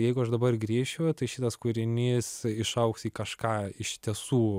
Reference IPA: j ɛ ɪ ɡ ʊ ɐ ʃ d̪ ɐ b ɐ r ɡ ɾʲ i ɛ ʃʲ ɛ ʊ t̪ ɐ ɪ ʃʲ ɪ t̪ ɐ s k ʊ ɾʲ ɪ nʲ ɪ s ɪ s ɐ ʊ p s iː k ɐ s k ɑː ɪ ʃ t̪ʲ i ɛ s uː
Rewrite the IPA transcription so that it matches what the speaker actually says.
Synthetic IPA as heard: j ɛ ɪ ɡ ʊ ɐ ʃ d̪ ɐ b ɐ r ɡ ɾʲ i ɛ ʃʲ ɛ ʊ t̪ ɐ ɪ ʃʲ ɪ t̪ ɐ s k ʊ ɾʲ ɪ nʲ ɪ s ɪ ʃ ɐ ʊ k s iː k ɐ ʃ k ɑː ɪ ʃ t̪ʲ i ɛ s uː